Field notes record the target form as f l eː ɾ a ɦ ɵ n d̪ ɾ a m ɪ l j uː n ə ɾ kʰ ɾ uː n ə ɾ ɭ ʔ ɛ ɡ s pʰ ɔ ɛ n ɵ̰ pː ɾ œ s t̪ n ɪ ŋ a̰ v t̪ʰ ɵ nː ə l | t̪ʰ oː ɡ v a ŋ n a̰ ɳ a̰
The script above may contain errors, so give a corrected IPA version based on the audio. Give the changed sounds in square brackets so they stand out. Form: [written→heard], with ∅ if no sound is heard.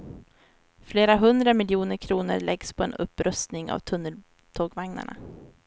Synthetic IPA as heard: f l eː ɾ a ɦ ɵ n d̪ ɾ a m ɪ l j uː n ə ɾ kʰ ɾ uː n ə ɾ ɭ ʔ ɛ ɡ s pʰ ɔ ɛ n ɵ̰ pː ɾ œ s t̪ n ɪ ŋ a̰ v t̪ʰ ɵ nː ə l | t̪ʰ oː ɡ v a ŋ n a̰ ɳ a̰